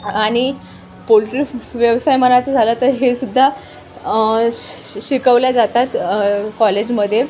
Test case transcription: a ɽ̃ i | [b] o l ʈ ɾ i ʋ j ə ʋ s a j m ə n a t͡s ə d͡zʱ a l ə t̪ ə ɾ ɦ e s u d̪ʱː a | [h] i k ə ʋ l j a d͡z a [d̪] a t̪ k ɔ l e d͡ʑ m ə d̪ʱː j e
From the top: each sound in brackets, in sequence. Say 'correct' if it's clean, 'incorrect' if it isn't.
incorrect: p, incorrect: ɕ, incorrect: t̪

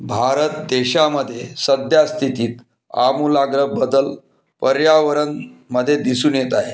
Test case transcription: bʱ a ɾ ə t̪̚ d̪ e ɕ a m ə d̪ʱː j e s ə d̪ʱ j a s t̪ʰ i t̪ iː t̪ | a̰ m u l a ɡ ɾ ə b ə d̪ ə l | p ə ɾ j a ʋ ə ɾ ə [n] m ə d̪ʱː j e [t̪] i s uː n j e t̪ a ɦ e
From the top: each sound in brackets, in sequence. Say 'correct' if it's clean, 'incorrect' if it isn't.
correct, incorrect: d̪

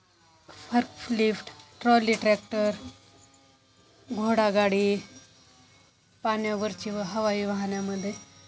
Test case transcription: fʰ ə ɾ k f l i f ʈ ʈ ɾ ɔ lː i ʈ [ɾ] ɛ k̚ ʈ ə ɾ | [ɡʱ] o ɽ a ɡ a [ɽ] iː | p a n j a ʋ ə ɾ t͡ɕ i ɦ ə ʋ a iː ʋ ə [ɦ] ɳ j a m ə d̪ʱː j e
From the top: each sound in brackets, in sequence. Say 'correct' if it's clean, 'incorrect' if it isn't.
correct, correct, correct, correct

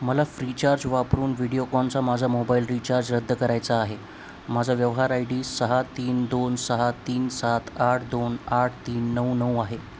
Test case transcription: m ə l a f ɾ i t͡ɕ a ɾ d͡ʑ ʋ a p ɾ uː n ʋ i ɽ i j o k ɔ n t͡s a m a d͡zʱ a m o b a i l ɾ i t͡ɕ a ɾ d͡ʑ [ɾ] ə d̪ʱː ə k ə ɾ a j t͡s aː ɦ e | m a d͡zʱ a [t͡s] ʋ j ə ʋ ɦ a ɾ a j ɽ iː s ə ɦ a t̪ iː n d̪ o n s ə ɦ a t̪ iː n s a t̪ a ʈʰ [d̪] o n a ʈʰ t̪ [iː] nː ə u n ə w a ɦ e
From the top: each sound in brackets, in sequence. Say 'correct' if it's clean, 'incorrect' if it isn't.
correct, incorrect: none, correct, correct

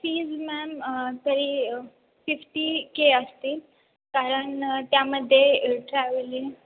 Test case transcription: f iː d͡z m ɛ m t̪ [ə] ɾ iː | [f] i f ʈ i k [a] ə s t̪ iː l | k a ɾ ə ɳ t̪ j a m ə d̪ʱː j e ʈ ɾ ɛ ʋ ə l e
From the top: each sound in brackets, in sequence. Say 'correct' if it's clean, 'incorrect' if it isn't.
correct, correct, incorrect: e

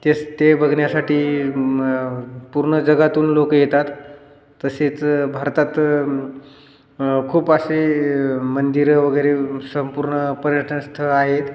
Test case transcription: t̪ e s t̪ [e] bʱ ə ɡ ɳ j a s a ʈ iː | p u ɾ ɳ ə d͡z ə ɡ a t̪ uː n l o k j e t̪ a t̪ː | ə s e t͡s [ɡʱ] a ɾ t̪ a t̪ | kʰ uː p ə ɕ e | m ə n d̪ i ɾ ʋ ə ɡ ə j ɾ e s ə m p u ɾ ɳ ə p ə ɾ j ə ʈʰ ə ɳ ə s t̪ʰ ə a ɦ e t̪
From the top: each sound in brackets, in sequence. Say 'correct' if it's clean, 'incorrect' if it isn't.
correct, incorrect: bʱ

